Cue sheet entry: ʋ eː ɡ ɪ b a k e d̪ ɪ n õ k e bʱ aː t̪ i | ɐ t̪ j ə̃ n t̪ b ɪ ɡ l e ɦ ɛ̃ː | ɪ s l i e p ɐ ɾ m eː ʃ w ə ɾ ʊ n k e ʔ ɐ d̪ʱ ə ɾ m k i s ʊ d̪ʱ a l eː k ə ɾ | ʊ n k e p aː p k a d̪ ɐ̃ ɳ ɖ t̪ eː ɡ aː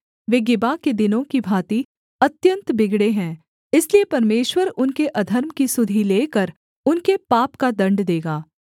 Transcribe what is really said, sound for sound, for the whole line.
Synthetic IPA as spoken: ʋ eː ɡ ɪ b a k e d̪ ɪ n õ k i bʱ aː t̪ i | ɐ t̪ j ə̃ n t̪ b ɪ ɡ ɽ e ɦ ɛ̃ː | ɪ s l i e p ɐ ɾ m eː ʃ w ə ɾ ʊ n k e ʔ ɐ d̪ʱ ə ɾ m k i s ʊ d̪ʱ i l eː k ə ɾ | ʊ n k e p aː p k a d̪ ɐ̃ ɳ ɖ d̪ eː ɡ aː